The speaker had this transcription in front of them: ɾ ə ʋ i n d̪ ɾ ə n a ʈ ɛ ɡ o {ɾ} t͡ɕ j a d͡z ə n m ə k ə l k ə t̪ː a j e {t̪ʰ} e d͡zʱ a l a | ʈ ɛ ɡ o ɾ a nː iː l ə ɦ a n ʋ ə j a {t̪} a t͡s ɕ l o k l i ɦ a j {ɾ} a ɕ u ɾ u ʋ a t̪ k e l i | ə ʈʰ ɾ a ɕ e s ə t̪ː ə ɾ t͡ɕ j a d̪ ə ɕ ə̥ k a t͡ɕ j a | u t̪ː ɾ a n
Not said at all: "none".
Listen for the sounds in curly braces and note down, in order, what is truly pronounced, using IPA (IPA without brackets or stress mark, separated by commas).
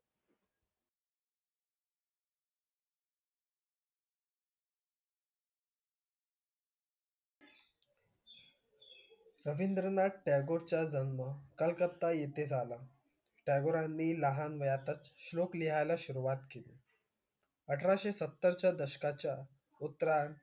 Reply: ɾ, t̪, t̪, l